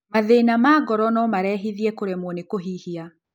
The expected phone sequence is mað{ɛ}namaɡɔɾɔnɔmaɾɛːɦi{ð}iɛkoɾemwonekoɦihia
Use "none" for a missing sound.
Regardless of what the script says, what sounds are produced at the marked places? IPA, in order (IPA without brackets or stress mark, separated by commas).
e, ð